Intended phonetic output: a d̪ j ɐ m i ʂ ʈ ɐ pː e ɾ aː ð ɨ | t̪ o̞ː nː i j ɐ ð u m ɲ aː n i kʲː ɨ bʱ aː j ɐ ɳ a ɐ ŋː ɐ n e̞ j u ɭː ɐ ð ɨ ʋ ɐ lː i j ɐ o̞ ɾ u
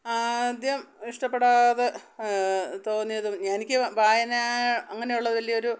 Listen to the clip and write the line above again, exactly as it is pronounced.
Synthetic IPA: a d̪ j ɐ m i ʂ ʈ ɐ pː e ɽ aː ð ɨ | t̪ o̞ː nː i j ɐ ð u m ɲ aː n i kʲː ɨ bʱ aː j ɐ n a ɐ ŋː ɐ n e̞ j u ɭː ɐ ð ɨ ʋ ɐ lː i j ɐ o̞ ɾ u